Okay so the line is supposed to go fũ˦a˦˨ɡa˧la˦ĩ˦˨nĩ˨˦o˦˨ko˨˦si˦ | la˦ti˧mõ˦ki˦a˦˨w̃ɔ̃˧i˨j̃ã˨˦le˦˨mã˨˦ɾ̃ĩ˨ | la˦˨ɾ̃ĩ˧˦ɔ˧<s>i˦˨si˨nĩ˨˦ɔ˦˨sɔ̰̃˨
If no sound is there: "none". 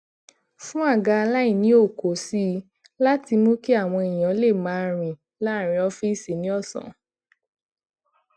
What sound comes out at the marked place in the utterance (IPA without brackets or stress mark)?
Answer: f